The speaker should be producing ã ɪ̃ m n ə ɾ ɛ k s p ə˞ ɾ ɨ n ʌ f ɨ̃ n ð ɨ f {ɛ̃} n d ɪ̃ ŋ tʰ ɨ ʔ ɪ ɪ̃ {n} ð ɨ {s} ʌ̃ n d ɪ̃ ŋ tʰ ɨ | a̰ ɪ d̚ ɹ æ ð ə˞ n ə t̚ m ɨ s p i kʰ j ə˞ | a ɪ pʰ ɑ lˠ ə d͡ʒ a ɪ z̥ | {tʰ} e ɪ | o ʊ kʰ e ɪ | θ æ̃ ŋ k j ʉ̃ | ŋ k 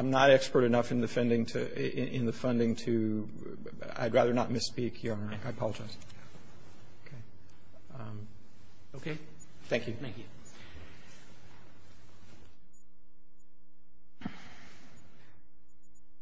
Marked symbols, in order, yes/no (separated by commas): yes, yes, no, no